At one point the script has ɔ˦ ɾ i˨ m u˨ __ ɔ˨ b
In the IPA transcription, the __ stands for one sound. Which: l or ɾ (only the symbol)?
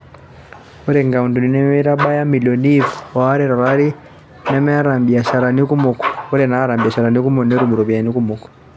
ɾ